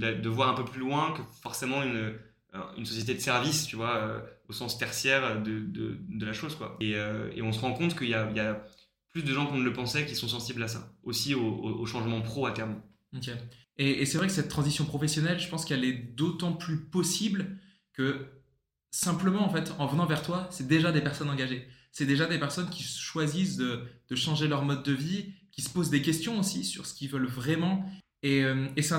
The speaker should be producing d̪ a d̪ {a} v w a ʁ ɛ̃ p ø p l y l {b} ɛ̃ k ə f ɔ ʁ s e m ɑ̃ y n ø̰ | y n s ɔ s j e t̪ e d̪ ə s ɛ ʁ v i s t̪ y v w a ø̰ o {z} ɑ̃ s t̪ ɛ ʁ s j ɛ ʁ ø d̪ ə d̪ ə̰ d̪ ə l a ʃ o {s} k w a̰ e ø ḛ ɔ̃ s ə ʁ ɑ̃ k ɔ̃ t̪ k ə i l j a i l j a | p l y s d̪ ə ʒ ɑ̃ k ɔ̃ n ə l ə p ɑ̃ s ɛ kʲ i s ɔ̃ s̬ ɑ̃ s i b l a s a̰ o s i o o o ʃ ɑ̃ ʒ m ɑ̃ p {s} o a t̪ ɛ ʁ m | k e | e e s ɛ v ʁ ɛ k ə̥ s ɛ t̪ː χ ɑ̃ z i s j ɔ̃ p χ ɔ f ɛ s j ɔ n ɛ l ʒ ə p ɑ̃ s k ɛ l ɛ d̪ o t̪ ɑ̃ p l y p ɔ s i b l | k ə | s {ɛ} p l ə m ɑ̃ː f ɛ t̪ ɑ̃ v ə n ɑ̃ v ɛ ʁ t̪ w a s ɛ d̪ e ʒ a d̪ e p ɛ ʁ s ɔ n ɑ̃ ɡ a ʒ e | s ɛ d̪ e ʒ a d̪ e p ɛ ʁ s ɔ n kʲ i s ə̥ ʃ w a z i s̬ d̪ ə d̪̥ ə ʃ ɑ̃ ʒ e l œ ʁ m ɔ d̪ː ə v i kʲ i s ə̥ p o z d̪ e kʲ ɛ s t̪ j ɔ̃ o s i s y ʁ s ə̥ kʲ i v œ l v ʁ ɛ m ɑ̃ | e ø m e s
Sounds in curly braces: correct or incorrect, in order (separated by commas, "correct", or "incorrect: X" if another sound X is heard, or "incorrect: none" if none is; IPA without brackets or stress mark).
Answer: incorrect: ə, incorrect: w, incorrect: s, incorrect: z, incorrect: χ, incorrect: ɛ̃